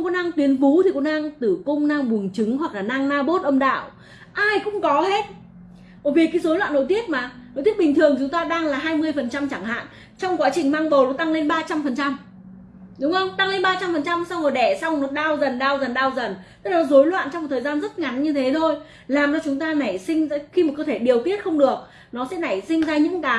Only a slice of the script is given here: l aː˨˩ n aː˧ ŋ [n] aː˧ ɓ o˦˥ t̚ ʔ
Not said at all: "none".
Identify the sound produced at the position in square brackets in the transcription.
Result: n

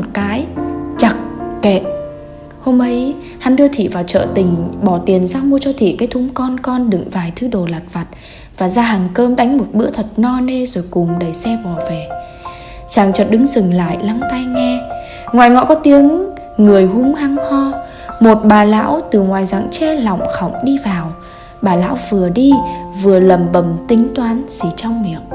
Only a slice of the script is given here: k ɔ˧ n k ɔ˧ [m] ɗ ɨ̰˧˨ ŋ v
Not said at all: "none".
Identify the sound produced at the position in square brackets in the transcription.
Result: n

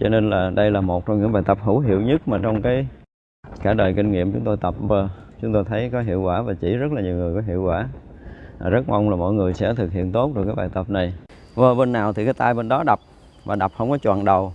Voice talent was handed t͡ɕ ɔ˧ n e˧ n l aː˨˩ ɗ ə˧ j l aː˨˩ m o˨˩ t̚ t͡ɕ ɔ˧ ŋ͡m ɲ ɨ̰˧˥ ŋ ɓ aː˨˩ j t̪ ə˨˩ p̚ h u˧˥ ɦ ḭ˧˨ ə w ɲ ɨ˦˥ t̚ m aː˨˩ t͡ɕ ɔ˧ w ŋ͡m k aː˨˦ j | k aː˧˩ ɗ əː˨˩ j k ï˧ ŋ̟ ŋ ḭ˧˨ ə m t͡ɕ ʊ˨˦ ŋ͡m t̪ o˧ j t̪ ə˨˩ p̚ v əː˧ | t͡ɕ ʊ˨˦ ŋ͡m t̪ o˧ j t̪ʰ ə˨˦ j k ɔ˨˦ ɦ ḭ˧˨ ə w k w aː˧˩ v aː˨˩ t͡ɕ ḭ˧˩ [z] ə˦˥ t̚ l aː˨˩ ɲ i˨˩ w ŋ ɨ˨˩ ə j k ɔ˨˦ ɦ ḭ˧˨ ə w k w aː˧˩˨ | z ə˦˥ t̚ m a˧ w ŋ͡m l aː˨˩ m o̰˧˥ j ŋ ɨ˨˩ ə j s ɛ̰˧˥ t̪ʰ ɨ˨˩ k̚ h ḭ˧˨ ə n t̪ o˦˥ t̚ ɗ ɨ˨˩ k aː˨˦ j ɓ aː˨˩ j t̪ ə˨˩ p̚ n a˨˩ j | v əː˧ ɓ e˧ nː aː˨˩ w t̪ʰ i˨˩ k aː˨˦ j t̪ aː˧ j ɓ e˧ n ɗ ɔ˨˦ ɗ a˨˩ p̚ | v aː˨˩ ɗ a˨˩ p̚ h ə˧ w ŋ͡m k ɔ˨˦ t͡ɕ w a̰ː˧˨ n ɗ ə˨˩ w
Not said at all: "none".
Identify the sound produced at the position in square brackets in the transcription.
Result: z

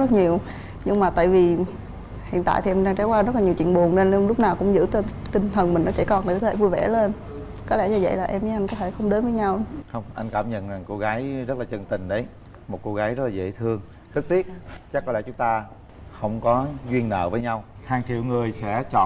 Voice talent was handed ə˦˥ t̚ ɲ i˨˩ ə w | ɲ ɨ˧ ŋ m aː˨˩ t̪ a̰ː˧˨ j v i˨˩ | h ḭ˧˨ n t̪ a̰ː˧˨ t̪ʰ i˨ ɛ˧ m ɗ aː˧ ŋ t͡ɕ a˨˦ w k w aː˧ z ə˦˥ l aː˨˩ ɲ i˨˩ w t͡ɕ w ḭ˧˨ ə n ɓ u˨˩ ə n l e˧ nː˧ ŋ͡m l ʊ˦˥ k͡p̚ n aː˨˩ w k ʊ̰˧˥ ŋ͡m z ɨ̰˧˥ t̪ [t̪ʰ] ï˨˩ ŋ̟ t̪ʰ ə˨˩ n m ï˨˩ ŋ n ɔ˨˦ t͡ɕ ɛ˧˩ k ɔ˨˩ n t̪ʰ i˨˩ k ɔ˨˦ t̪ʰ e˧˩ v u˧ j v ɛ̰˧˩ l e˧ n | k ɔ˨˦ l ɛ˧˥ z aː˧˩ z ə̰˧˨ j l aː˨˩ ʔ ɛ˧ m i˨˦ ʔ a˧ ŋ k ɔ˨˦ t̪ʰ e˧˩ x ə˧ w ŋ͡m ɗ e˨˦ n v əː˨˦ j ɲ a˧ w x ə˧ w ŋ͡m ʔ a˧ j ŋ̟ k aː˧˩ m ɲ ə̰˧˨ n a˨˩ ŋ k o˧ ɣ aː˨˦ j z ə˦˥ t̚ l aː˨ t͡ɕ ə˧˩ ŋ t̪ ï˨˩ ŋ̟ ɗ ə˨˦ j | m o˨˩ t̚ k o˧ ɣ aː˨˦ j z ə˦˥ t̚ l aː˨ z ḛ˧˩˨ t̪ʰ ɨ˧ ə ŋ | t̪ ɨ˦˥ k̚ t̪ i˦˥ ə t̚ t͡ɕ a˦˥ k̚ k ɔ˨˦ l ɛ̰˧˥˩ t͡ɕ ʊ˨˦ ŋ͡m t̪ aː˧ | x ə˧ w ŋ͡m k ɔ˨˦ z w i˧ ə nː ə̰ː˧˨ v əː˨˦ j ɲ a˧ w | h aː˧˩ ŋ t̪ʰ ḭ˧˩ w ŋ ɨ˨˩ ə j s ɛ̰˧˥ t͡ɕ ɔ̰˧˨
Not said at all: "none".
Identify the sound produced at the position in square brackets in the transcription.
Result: t̪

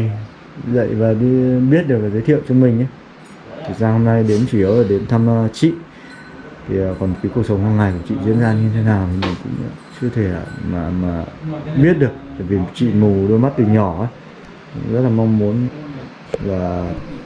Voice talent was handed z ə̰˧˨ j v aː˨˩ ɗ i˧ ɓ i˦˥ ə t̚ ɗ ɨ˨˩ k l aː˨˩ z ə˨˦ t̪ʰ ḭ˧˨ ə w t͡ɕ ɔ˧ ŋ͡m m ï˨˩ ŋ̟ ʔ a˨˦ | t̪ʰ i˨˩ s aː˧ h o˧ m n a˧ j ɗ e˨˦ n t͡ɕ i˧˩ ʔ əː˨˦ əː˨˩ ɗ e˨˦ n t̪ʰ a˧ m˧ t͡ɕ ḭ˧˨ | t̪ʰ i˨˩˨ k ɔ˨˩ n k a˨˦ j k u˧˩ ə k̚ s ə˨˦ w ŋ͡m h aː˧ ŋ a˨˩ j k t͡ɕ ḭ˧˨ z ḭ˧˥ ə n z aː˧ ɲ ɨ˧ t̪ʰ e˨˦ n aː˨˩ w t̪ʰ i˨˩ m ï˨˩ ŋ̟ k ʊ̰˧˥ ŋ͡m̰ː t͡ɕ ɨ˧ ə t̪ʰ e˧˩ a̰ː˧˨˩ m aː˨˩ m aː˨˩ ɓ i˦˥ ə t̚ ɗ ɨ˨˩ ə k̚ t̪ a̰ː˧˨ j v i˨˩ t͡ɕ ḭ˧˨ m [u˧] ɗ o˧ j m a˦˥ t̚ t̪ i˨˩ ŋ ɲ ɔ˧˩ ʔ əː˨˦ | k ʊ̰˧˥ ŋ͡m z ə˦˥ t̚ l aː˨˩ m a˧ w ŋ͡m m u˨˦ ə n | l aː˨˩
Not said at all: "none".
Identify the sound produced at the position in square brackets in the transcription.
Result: u˨˩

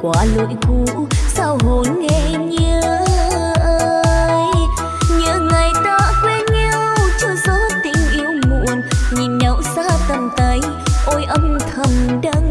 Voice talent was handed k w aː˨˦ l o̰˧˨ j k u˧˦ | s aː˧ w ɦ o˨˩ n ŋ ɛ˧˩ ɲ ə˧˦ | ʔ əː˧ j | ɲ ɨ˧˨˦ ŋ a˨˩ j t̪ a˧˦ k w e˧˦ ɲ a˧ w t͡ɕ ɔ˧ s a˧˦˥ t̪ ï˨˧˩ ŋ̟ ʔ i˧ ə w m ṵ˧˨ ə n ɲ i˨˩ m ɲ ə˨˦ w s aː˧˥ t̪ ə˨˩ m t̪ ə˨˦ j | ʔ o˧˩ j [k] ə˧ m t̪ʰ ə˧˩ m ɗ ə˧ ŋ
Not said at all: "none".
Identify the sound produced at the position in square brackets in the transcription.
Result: ʔ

